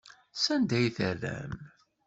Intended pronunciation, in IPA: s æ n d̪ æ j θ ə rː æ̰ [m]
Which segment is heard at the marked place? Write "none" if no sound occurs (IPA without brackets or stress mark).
m